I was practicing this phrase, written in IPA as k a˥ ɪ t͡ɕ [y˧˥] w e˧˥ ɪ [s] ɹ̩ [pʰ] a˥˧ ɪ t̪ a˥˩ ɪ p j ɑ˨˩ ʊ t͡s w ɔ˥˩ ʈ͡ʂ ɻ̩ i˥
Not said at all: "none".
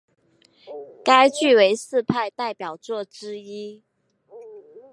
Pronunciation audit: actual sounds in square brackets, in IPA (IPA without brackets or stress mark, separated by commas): y˥˩, s, pʰ